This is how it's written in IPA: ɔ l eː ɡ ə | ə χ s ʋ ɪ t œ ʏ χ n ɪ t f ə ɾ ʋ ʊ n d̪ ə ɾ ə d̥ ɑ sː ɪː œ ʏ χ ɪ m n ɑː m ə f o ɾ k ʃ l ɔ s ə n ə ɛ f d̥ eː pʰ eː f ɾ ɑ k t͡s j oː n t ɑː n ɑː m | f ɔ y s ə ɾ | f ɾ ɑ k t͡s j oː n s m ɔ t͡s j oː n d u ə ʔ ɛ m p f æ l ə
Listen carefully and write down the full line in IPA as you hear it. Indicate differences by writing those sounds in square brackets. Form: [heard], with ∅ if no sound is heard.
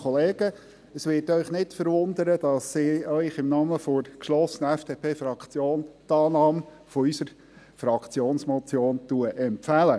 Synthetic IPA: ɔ l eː ɡ ə | ə [∅] s ʋ ɪ t œ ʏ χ n ɪ t f ə ɾ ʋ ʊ n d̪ ə ɾ ə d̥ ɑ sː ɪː œ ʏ χ ɪ m n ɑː m ə f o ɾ k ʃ l ɔ s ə n ə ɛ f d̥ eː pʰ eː f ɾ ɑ k t͡s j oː n t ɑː n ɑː m | f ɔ y s ə ɾ | f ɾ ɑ k t͡s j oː n s m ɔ t͡s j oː n [t] u ə ʔ ɛ m p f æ l ə

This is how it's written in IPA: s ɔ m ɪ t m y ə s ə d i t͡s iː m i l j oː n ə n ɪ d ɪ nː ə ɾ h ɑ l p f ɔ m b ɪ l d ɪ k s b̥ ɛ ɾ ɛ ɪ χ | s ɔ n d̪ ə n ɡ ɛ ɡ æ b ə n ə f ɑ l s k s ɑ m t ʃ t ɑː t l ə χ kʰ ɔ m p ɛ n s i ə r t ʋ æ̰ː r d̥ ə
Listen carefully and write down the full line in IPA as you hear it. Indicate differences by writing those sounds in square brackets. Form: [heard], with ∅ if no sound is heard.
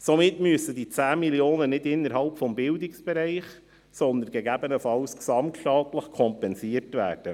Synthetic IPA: s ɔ m ɪ t m y ə s ə d i t͡s [æː] m i l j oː n ə n ɪ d ɪ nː ə ɾ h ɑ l p f ɔ m b ɪ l d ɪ k s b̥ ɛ ɾ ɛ ɪ χ | s ɔ n d̪ ə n ɡ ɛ ɡ æ b ə n ə f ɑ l s k s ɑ m t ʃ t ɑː t l ə χ kʰ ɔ m p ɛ n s i ə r t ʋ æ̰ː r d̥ ə

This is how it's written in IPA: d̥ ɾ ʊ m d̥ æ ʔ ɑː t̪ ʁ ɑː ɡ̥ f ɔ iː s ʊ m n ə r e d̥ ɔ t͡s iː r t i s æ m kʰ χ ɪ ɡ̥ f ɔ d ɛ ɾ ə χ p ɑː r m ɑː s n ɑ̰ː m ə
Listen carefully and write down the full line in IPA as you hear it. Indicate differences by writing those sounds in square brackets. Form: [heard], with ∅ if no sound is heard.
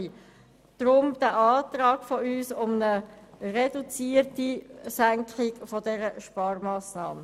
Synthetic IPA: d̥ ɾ ʊ m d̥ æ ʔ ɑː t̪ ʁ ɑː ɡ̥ f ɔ [yː] s ʊ m n ə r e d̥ [u] t͡s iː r t i s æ [ŋ] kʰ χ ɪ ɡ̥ f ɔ d ɛ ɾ ə [ʃ] p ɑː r m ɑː s n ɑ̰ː m ə

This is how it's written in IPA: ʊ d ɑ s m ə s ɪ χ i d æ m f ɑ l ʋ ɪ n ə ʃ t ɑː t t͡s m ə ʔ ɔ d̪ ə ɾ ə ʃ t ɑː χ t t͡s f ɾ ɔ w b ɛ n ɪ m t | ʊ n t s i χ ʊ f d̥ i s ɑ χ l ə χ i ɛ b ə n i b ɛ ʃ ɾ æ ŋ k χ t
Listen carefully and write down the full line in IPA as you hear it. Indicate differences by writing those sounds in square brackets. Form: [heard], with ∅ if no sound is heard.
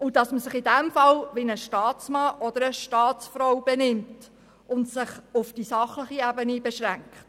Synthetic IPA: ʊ d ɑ s m ə s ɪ χ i d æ m f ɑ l ʋ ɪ n ə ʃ t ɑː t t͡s m [ɑ] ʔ ɔ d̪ ə ɾ ə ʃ t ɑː [∅] t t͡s f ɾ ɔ w b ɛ n ɪ m t | ʊ n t s [ɪ] χ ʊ f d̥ i s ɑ χ l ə χ i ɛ b ə n i b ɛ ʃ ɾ æ ŋ k χ t

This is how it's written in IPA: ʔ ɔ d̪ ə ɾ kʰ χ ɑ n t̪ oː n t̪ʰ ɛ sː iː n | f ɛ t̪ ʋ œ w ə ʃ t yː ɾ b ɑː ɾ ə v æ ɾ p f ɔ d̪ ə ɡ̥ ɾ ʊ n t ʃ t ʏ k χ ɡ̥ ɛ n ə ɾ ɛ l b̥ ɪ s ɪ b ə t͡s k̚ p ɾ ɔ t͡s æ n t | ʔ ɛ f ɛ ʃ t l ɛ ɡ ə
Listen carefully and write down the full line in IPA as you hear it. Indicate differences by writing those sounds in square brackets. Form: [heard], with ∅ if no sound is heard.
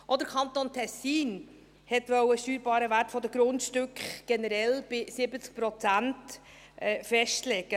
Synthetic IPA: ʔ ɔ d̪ ə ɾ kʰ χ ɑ n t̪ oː n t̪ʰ ɛ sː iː n | [h] ɛ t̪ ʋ œ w ə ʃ t yː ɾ b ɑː ɾ ə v æ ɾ [t] f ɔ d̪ ə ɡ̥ ɾ ʊ n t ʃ t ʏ k χ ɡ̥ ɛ n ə ɾ ɛ l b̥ ɪ s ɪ b ə t͡s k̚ p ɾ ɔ t͡s æ n t | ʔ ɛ f ɛ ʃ t l ɛ ɡ ə

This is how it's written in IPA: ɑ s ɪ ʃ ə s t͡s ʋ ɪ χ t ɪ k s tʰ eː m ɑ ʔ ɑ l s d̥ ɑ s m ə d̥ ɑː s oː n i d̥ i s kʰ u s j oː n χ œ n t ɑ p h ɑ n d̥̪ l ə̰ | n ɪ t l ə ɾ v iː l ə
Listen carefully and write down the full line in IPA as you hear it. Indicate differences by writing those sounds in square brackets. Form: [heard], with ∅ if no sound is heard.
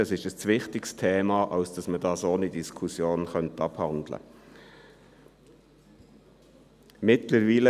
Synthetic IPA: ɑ s ɪ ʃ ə s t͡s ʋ ɪ χ t ɪ k s tʰ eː m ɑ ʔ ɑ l s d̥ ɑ s m ə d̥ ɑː s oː n i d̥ i s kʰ u s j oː n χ œ n t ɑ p h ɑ n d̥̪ l ə̰ | [m] ɪ t l ə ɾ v iː l ə

